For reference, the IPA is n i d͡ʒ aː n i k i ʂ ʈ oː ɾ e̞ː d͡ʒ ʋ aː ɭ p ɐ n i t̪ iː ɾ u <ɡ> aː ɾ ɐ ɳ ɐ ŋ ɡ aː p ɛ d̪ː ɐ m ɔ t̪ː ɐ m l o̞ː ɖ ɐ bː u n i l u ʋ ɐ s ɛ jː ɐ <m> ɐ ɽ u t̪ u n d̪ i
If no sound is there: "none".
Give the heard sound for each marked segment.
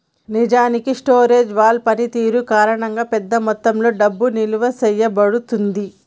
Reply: k, b

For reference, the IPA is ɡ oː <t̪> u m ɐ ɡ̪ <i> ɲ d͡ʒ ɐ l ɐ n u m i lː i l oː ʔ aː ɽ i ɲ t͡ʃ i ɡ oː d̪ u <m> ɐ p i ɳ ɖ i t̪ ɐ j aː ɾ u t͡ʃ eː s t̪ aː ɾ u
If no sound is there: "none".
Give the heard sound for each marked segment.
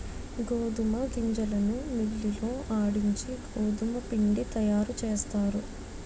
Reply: d̪, i, m

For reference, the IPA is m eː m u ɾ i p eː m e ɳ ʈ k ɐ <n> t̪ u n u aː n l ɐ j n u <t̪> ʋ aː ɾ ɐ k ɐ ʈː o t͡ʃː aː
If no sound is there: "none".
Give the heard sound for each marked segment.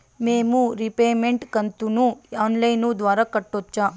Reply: n, d̪

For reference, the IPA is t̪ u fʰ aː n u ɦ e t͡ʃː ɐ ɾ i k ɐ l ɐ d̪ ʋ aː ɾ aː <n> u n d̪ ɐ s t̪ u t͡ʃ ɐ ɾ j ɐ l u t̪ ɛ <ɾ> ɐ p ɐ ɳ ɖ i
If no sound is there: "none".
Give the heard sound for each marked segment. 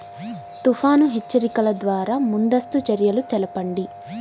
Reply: m, l

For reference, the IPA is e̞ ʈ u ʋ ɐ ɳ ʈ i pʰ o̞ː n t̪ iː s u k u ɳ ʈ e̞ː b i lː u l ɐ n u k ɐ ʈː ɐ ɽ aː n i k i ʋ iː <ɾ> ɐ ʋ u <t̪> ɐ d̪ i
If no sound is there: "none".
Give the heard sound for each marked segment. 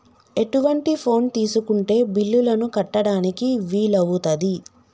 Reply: l, t̪

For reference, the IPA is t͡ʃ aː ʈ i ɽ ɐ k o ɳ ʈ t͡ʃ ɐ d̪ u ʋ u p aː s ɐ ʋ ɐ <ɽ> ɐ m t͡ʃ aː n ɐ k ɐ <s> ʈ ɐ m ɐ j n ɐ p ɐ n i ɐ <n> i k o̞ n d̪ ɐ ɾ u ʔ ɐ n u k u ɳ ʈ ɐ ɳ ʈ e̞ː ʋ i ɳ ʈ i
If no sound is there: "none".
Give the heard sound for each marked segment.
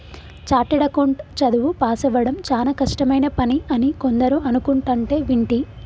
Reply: ɽ, ʂ, n

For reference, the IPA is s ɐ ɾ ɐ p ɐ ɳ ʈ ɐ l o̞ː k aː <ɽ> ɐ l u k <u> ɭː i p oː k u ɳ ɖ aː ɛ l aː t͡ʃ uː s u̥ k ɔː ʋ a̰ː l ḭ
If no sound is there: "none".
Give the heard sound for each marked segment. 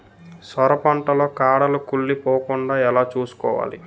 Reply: ɽ, u

